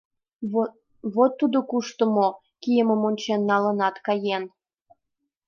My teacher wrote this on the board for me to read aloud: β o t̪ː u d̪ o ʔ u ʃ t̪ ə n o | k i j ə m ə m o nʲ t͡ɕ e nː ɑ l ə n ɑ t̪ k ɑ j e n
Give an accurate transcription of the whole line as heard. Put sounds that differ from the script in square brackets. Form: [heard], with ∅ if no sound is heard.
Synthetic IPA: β o t̪ː u d̪ o [k] u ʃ t̪ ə [m] o | k i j ə m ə m o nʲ t͡ɕ e nː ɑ l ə n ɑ t̪ k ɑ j e n